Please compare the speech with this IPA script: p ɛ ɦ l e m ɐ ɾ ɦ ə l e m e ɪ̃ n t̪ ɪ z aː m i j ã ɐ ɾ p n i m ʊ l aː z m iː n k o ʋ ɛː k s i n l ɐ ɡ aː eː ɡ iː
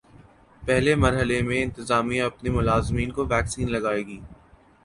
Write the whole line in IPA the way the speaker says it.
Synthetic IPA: p ɛ ɦ l e m ɐ ɾ ɦ ə l e m ẽ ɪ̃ n t̪ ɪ z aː m i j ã ɐ p n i m ʊ l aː z m iː n k o ʋ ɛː k s iː n l ɐ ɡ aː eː ɡ iː